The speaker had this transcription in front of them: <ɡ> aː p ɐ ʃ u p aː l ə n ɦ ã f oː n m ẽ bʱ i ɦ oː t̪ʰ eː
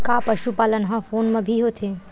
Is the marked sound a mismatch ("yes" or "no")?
yes